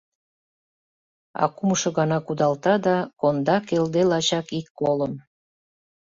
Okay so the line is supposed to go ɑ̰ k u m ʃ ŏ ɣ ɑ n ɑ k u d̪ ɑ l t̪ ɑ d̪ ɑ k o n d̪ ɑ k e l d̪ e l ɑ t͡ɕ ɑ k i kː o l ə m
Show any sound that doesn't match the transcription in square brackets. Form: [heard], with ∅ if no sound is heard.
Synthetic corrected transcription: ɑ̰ k u m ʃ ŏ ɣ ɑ n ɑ k u d̪ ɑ l t̪ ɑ d̪ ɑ k o n d̪ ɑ k e l d̪ e l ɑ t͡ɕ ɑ k i kː o l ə m